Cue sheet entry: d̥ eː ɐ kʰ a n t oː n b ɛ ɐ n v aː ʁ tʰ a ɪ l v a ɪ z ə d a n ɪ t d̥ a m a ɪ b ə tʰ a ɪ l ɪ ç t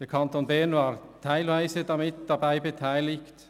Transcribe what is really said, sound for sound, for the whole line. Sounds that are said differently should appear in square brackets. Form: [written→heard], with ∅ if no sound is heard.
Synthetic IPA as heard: d̥ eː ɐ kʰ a n t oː n b ɛ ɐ n v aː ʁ tʰ a ɪ l v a ɪ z ə d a [n→m] ɪ t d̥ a [m→b] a ɪ b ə tʰ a ɪ l ɪ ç t